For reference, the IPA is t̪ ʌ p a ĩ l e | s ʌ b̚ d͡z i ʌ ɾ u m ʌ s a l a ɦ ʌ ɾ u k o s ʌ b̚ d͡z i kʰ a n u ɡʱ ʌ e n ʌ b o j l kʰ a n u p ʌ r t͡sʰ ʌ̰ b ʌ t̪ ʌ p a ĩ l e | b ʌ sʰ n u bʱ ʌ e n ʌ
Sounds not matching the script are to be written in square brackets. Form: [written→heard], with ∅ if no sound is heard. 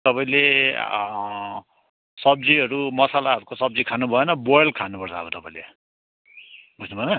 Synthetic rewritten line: t̪ ʌ p a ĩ l e | s ʌ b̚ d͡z i ʌ ɾ u m ʌ s a l a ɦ ʌ ɾ u k o s ʌ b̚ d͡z i kʰ a n u [ɡʱ→bʱ] ʌ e n ʌ b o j l kʰ a n u p ʌ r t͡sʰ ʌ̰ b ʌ t̪ ʌ p a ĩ l e | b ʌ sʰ n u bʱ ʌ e n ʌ